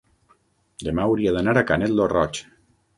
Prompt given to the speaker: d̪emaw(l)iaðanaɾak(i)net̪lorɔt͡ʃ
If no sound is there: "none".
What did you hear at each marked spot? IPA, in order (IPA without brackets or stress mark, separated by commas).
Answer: ɾ, a